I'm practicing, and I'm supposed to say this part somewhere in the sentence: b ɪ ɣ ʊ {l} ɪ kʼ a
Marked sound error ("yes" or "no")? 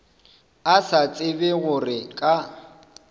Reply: yes